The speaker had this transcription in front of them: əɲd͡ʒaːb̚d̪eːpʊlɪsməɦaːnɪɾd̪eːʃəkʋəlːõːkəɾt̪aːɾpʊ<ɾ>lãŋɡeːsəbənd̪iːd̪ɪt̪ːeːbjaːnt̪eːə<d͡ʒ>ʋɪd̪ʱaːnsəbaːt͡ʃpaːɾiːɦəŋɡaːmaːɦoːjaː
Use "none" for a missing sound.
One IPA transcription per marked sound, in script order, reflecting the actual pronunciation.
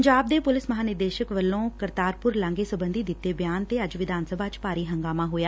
ɾ, d͡ʒ

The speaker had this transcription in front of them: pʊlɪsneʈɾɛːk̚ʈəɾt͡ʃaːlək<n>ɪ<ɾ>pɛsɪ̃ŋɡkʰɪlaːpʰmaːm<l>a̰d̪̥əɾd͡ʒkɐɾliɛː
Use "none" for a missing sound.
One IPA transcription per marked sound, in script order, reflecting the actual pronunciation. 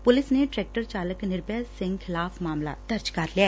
n, ɾ, l

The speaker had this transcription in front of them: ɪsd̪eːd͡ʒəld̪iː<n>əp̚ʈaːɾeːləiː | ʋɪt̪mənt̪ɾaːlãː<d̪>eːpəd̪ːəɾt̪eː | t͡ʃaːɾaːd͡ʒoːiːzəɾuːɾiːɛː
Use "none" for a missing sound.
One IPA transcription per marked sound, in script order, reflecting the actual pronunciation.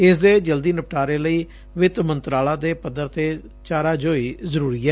n, d̪

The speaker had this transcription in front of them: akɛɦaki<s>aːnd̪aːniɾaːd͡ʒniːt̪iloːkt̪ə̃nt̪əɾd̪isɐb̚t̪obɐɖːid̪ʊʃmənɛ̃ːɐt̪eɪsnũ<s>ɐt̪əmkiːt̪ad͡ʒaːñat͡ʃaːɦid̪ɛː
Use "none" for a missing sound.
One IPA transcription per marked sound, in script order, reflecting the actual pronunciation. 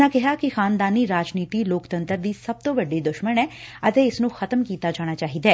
x, x

